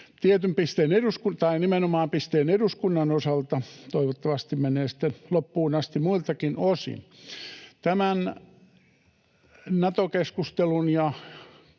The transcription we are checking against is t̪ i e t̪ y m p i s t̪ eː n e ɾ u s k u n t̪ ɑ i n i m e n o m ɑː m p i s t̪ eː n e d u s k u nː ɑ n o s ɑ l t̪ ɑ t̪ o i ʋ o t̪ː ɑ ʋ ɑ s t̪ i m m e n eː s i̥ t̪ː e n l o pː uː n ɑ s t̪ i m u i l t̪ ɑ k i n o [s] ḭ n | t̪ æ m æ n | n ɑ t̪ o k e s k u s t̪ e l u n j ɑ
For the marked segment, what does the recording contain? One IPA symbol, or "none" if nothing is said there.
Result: s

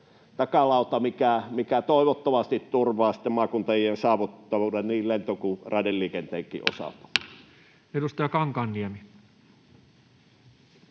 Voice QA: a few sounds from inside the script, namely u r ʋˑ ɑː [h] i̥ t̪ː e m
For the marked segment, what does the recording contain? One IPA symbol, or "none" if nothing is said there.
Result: s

